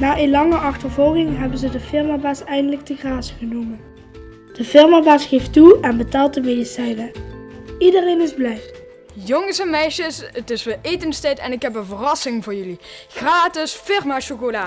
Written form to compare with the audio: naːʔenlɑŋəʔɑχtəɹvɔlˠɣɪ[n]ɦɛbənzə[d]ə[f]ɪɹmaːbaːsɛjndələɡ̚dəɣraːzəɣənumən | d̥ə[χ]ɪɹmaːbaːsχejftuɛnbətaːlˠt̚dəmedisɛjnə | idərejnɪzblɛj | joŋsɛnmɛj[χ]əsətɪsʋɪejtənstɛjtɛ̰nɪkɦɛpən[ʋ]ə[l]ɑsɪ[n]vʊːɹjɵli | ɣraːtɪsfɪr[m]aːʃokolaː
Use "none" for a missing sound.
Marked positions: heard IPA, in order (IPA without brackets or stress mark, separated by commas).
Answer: ŋ, d, f, f, ʃ, v, r, ŋ, m